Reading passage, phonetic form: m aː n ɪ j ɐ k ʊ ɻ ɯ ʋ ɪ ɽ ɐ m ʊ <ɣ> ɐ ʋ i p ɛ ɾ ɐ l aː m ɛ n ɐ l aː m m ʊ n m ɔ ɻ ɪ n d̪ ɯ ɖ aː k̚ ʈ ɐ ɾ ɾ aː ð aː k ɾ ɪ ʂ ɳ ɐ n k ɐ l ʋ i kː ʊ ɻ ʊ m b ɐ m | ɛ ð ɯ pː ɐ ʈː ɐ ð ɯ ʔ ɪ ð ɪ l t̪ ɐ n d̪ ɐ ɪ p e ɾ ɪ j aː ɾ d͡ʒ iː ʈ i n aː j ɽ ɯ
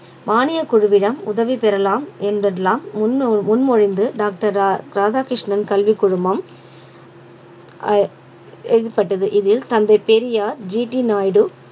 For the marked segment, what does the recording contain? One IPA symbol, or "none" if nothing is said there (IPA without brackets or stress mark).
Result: ð